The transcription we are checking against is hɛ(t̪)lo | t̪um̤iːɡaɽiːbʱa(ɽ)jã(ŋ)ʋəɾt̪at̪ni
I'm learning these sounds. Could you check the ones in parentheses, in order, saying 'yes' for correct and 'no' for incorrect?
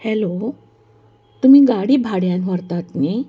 no, yes, no

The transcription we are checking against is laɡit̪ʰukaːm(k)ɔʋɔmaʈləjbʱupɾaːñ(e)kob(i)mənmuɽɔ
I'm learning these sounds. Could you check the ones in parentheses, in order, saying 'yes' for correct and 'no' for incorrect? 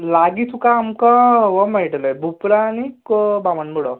yes, no, no

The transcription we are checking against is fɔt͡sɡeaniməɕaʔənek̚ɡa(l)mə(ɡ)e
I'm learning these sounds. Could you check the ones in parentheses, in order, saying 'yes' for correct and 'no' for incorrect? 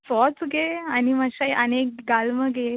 yes, yes

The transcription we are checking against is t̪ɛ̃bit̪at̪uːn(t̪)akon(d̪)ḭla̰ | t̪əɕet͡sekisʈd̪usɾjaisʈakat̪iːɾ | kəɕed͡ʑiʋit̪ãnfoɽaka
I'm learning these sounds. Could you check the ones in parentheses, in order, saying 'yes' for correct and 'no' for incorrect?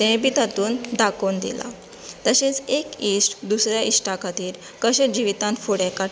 no, yes

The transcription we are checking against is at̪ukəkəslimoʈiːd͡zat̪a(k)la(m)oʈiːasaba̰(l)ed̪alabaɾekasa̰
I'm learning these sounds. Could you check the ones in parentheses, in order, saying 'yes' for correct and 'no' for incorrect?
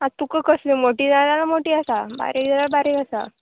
no, yes, no

